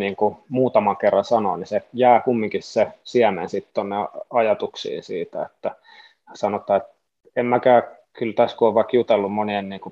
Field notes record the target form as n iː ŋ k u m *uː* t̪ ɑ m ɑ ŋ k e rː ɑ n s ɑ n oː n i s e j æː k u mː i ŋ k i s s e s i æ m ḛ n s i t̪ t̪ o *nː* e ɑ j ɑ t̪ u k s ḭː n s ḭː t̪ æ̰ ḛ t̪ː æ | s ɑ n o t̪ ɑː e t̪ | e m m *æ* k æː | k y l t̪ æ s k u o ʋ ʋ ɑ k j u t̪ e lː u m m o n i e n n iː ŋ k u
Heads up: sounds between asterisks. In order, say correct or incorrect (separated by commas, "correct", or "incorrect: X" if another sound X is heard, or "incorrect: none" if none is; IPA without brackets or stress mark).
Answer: correct, correct, correct